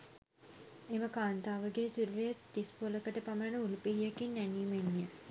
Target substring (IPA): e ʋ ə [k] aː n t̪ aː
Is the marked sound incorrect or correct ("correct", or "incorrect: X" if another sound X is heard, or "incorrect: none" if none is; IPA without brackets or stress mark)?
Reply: correct